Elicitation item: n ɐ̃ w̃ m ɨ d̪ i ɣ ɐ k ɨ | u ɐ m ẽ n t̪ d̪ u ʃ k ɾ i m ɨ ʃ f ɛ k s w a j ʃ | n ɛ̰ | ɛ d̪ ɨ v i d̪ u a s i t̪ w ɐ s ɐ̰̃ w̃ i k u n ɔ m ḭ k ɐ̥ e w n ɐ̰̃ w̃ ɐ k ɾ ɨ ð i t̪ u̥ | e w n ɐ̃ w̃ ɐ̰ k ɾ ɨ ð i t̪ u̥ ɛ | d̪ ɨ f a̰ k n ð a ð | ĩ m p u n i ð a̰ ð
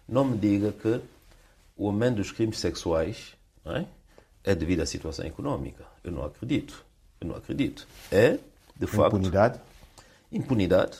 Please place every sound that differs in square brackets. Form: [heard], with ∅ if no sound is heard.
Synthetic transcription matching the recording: n ɐ̃ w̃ m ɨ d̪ i ɣ ɐ k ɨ | u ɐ m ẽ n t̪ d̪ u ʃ k ɾ i m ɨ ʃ [s] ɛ k s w a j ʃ | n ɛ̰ | ɛ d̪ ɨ v i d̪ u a s i t̪ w ɐ s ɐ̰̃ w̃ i k u n ɔ m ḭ k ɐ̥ e w n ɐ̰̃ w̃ ɐ k ɾ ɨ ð i t̪ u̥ | e w n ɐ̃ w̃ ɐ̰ k ɾ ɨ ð i t̪ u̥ ɛ | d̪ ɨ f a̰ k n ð a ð | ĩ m p u n i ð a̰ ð